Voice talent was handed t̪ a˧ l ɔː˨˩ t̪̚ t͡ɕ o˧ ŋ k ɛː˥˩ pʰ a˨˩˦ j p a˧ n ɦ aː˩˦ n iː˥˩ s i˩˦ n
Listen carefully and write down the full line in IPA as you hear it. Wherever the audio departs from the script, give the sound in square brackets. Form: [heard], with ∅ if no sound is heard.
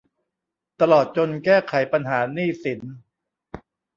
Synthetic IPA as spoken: t̪ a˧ l ɔː˨˩ t̪̚ t͡ɕ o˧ [n] k ɛː˥˩ [kʰ] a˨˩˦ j p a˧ n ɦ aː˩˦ n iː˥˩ s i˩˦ n